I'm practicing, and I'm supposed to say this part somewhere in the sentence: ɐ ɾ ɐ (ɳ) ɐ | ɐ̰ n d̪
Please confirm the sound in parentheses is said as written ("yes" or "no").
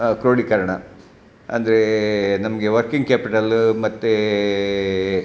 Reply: yes